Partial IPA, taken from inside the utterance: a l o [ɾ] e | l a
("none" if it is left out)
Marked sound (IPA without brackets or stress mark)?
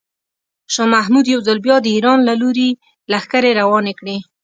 ɾ